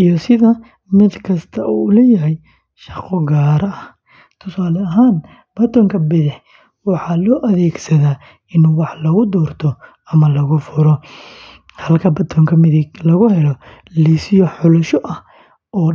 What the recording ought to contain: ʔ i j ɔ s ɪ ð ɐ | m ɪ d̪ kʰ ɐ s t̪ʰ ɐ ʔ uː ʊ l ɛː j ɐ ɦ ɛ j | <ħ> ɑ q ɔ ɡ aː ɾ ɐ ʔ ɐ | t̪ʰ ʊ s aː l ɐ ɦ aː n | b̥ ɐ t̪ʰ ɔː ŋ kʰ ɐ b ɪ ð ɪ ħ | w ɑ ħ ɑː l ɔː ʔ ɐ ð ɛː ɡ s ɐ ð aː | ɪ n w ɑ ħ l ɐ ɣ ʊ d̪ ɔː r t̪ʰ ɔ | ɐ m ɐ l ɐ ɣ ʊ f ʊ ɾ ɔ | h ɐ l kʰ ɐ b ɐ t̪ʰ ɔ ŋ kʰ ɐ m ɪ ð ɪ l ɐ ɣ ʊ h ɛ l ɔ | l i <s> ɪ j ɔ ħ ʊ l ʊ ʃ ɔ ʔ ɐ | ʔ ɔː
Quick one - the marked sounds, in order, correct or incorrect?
incorrect: ʃ, correct

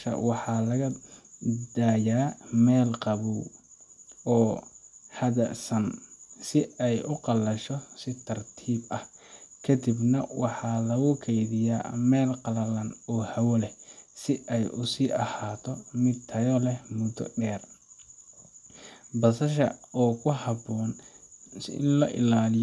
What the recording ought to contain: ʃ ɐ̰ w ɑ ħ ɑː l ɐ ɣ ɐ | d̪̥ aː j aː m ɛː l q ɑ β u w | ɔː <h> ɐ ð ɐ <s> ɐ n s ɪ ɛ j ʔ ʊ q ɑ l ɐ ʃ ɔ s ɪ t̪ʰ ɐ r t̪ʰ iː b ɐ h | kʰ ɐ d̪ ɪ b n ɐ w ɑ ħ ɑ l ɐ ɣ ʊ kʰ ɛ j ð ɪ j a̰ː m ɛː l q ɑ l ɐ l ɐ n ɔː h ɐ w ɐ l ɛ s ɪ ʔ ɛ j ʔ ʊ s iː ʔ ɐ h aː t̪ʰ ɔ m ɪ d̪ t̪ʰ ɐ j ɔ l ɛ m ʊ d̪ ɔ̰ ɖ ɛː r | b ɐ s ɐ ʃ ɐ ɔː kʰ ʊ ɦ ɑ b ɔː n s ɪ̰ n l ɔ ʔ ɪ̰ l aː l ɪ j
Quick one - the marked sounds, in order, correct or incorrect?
correct, correct

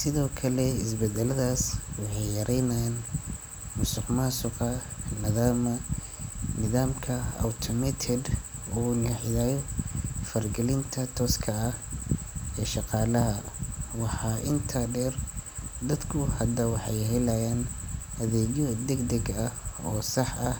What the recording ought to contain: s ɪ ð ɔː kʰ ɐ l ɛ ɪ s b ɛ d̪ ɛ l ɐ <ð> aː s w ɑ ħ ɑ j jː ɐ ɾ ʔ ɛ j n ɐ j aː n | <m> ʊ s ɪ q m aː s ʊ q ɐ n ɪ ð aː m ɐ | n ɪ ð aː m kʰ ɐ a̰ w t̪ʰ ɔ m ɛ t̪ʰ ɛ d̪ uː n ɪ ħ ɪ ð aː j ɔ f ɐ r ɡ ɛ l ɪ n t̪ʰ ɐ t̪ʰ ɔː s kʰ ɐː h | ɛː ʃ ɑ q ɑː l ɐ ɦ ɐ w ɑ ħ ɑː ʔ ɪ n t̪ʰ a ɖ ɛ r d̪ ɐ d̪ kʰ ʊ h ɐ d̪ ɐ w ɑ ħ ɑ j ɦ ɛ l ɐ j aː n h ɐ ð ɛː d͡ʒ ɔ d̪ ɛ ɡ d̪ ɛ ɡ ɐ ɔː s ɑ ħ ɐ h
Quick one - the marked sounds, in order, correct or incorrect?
correct, correct

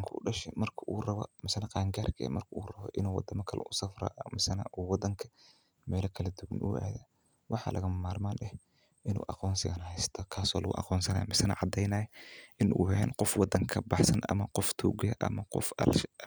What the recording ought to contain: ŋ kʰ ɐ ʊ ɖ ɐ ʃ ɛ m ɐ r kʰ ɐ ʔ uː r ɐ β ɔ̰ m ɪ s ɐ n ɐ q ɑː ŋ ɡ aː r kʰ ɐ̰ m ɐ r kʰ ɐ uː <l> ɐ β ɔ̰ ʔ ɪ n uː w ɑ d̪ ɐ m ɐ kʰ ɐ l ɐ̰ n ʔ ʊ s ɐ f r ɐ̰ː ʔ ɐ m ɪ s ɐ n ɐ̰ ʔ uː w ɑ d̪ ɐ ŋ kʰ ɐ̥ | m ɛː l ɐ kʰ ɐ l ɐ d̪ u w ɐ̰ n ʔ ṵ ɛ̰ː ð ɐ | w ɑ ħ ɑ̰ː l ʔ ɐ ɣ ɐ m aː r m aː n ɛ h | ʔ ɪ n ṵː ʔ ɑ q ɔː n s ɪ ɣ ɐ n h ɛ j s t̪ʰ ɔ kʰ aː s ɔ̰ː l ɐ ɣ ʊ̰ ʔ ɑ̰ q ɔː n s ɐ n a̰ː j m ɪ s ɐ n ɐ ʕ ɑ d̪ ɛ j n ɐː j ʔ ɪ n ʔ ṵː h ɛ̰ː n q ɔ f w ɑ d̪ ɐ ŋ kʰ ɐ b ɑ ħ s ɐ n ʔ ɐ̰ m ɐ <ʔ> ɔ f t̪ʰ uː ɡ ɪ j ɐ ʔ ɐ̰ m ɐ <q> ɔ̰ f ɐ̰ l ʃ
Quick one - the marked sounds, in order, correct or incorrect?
incorrect: r, incorrect: q, correct

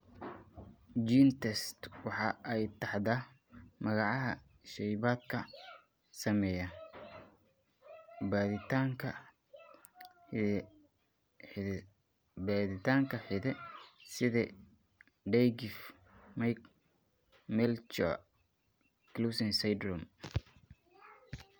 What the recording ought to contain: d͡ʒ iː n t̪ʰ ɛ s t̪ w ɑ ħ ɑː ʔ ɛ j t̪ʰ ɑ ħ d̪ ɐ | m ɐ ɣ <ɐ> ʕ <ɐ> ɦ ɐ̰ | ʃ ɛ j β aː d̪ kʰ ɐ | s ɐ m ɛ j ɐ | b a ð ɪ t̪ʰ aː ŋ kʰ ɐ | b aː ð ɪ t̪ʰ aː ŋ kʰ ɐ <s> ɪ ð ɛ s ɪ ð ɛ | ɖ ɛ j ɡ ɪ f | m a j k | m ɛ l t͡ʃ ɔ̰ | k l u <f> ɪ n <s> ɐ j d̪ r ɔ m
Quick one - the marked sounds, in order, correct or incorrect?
incorrect: ɑ, incorrect: ɑ, incorrect: ħ, incorrect: s, correct

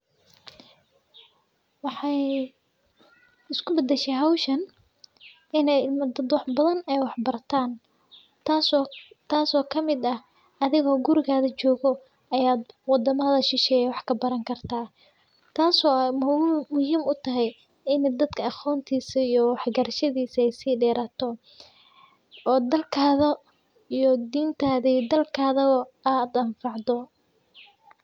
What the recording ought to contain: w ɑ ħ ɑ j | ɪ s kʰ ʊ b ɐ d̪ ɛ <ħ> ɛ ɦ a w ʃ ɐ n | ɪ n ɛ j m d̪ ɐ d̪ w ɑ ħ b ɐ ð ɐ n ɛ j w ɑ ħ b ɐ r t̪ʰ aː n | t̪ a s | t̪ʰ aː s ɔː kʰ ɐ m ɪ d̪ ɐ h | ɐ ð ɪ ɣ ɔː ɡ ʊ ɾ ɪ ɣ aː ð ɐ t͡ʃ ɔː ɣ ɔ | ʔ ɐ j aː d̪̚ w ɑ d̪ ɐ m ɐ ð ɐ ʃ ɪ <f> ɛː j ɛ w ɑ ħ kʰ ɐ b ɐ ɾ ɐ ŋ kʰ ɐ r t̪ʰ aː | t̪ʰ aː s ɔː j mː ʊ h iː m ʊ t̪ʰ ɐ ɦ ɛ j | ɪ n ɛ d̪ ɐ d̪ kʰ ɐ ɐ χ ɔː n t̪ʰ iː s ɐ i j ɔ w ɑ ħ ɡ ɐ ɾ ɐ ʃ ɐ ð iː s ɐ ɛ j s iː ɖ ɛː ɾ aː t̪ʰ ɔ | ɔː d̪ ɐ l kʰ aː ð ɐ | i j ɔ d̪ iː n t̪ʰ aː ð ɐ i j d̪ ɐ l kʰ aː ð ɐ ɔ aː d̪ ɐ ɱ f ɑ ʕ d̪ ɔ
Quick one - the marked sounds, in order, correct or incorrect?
incorrect: ʃ, incorrect: ʃ

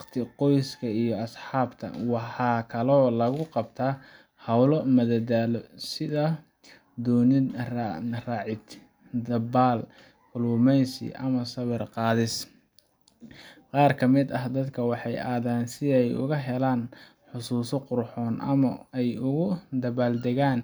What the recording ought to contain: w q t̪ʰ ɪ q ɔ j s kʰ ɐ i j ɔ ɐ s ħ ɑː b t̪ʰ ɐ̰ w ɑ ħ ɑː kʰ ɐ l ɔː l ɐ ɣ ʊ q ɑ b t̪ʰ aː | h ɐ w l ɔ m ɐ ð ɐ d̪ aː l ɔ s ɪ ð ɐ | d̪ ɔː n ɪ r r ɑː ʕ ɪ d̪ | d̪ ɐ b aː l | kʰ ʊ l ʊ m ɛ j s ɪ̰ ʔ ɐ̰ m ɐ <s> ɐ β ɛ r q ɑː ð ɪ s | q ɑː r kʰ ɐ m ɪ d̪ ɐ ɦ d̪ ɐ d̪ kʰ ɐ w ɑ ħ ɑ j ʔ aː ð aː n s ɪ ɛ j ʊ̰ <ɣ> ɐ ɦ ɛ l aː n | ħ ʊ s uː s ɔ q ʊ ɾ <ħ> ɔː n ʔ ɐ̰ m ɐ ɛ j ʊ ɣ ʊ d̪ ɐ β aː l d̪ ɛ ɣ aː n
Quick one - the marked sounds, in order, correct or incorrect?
correct, correct, correct

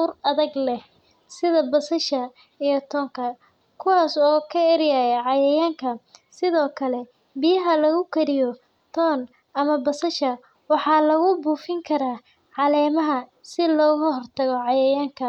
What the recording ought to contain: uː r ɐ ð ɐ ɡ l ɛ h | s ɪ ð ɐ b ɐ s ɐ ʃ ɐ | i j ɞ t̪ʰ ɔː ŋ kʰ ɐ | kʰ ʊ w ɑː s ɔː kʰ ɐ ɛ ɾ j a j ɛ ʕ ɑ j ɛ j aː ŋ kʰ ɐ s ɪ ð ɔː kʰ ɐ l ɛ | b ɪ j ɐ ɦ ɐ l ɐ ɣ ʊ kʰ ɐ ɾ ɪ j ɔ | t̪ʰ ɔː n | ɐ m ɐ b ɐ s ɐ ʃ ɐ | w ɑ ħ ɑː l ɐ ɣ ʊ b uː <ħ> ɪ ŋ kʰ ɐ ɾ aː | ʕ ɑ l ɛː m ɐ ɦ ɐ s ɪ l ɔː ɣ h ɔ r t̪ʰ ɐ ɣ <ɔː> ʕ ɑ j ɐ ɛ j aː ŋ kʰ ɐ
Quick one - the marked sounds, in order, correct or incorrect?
incorrect: f, incorrect: ɔ

